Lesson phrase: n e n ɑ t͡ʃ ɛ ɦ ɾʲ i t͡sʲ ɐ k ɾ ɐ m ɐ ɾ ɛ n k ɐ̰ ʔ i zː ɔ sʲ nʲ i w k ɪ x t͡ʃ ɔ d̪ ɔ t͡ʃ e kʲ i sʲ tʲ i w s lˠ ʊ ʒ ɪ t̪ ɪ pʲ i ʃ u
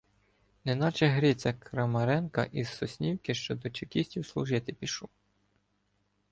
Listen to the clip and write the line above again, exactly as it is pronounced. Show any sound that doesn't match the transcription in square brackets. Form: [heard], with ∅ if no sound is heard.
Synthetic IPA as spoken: n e n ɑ t͡ʃ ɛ ɦ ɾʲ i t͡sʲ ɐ k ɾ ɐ m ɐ ɾ ɛ n k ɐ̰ ʔ i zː ɔ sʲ nʲ i w k ɪ [ʃ] t͡ʃ ɔ d̪ ɔ t͡ʃ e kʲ i sʲ tʲ i w s lˠ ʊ ʒ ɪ t̪ ɪ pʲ i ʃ u